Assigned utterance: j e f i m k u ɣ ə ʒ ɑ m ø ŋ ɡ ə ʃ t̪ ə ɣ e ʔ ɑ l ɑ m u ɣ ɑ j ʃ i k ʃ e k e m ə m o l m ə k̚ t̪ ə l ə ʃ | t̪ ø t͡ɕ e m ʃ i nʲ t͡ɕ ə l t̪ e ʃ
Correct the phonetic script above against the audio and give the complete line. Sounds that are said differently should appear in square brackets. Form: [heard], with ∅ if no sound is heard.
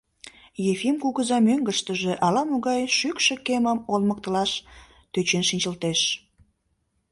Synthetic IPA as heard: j e f i m k u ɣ ə [z] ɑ m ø ŋ ɡ ə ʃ t̪ ə [ʒ] e ʔ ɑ l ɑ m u ɣ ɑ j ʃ [y] k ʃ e k e m ə m o l m ə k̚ t̪ ə l [ɑ] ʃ | t̪ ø t͡ɕ e [n] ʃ i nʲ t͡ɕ ə l t̪ e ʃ

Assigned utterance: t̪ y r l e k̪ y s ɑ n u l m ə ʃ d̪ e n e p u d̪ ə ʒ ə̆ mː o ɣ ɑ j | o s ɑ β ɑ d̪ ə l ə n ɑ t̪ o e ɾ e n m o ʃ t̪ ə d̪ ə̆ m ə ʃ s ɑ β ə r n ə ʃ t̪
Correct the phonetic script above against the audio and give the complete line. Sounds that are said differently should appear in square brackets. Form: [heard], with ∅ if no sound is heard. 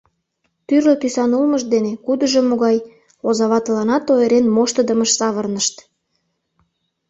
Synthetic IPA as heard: t̪ y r l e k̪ y s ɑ n u l m ə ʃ d̪ e n e [k] u d̪ ə ʒ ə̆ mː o ɣ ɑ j | o [z] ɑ β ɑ [t̪] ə l [ɑ] n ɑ t̪ o e ɾ e n m o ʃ t̪ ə d̪ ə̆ m ə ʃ s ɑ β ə r n ə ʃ t̪

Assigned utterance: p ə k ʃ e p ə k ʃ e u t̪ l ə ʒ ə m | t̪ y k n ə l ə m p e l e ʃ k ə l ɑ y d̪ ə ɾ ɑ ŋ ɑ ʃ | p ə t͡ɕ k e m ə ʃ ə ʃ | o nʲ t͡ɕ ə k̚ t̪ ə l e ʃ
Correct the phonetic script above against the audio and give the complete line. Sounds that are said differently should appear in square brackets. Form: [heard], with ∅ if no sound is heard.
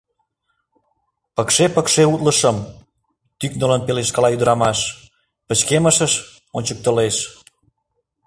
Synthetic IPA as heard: p ə k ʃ e p ə k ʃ e u t̪ l ə [ʃ] ə m | t̪ y k n ə l ə [n] p e l e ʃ k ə l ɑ y d̪ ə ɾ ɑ [m] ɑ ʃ | p ə t͡ɕ k e m ə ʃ ə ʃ | o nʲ t͡ɕ ə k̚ t̪ ə l e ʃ

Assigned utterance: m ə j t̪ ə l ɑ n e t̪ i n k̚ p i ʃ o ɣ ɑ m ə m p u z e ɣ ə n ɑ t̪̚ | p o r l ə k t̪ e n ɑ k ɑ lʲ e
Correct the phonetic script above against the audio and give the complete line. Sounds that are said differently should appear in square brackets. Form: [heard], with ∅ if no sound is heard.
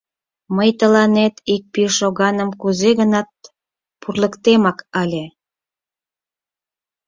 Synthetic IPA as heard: m ə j t̪ ə l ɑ n e t̪ i [∅] k̚ p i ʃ o ɣ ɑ [n] ə m [k] u z e ɣ ə n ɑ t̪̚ | p [u] r l ə k t̪ e [m] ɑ k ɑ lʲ e

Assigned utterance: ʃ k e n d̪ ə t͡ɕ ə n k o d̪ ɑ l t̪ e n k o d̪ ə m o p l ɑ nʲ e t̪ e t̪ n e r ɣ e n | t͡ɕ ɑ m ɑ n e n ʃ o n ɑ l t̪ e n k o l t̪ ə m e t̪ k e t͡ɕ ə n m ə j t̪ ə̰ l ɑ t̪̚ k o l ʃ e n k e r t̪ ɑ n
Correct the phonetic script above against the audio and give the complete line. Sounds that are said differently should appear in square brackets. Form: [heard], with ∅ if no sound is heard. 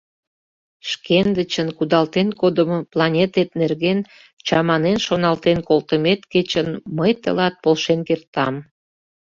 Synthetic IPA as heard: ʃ k e n d̪ ə t͡ɕ ə n k [u] d̪ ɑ l t̪ e n k o d̪ ə m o p l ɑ nʲ e t̪ e t̪ n e r ɣ e n | t͡ɕ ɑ m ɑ n e n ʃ o n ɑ l t̪ e n k o l t̪ ə m e t̪ k e t͡ɕ ə n m ə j t̪ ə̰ l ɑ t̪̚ [p] o l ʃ e n k e r t̪ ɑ [m]

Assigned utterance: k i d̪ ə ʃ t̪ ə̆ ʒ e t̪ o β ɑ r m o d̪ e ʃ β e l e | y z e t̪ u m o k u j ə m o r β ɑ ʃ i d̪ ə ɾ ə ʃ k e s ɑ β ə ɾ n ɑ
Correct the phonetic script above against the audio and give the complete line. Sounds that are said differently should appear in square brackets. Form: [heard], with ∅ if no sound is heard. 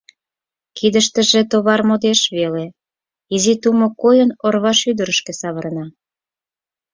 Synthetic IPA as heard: k i d̪ ə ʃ t̪ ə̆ ʒ e t̪ o β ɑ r m o d̪ e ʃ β e l e | [i] z [i] t̪ u m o k [o] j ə [n] o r β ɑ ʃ [y] d̪ ə ɾ ə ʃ k e s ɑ β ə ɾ n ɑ

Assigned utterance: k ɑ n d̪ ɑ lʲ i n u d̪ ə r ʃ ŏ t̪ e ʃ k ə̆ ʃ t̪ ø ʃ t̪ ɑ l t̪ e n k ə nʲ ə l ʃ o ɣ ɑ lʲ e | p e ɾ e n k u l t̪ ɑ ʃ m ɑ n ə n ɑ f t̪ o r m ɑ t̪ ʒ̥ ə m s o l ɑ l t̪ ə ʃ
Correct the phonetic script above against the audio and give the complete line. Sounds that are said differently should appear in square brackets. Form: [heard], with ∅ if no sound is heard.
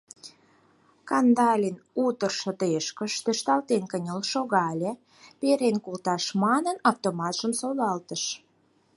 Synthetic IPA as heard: k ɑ n d̪ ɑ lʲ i n u [t̪] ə r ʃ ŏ t̪ e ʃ k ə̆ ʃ t̪ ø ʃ t̪ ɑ l t̪ e n k ə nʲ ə l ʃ o ɣ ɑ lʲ e | p e ɾ e n k u l t̪ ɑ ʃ m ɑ n ə n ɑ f t̪ o [∅] m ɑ t̪ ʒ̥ ə m s o l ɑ l t̪ ə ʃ

